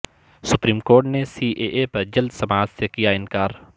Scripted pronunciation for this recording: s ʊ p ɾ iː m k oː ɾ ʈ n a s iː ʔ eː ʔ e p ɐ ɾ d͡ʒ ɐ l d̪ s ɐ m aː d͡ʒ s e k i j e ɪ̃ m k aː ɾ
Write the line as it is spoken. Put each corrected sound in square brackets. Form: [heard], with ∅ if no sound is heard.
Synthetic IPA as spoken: s ʊ p ɾ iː m k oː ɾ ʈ n [e] s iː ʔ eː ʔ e p ɐ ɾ d͡ʒ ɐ l d̪ s ɐ m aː d͡ʒ s e k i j [a] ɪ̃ [n] k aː ɾ